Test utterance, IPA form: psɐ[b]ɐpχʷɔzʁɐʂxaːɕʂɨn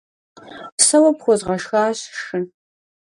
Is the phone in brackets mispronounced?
yes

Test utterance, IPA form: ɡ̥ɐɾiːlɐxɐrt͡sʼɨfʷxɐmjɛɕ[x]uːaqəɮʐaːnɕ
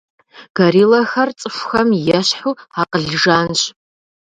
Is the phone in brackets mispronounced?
yes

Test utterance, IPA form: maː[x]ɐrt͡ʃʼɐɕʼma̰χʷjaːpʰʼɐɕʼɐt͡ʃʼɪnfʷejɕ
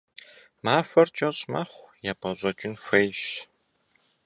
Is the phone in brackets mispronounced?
yes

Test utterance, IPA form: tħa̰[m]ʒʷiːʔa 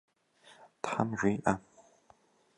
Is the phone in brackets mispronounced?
no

